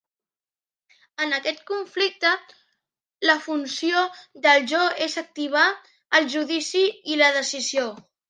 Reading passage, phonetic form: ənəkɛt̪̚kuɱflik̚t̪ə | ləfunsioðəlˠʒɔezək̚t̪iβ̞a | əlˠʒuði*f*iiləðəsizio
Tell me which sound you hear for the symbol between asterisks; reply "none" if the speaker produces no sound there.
s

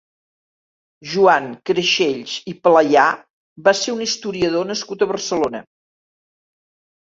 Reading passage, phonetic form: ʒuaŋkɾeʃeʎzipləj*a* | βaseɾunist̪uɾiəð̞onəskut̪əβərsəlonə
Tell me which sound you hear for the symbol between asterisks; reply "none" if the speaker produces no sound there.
a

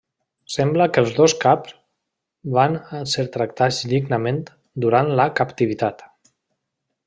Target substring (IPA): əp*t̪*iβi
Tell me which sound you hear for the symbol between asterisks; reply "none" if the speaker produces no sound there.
t̪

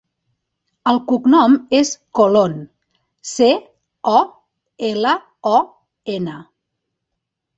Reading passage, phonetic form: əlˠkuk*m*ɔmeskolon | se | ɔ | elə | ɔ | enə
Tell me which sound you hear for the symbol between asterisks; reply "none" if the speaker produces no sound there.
n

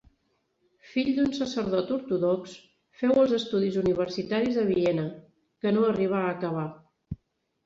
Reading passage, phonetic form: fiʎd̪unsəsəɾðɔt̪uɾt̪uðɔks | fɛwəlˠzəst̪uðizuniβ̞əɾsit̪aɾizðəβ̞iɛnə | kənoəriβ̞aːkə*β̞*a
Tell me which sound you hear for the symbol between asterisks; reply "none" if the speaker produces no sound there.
β̞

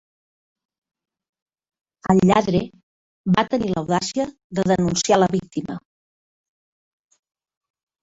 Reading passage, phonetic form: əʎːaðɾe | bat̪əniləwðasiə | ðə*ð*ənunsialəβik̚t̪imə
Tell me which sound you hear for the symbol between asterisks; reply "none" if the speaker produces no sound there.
ð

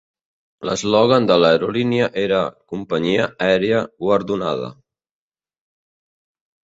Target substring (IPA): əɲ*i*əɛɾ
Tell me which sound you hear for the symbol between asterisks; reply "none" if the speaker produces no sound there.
i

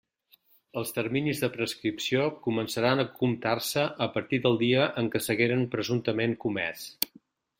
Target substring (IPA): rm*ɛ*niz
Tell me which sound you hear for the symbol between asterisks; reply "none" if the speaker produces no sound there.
i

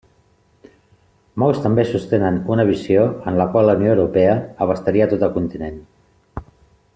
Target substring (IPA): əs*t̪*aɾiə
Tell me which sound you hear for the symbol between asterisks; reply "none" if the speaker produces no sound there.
t̪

